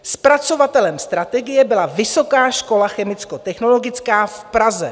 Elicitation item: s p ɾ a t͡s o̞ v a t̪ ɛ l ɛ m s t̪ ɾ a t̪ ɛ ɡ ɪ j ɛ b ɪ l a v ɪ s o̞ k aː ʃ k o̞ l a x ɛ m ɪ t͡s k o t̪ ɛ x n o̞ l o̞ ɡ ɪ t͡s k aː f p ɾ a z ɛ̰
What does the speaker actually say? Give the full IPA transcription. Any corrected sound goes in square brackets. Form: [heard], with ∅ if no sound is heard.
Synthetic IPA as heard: s p ɾ a t͡s o̞ v a t̪ ɛ l ɛ m s t̪ ɾ a t̪ ɛ ɡ ɪ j ɛ b ɪ l a v ɪ s o̞ k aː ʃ k o̞ l a x ɛ m ɪ t͡s k o t̪ ɛ x n o̞ l o̞ ɡ ɪ t͡s k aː f p ɾ a z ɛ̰